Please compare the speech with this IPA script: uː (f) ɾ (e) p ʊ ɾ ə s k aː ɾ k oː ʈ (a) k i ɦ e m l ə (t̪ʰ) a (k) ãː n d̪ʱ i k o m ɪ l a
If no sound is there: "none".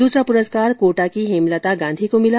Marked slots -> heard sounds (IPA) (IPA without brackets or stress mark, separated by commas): s, a, a, t̪, ɡ